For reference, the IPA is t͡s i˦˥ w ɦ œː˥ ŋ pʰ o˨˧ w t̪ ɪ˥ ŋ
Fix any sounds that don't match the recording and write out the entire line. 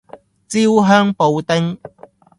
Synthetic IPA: t͡s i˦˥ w ɦ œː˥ ŋ p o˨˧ w t̪ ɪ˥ ŋ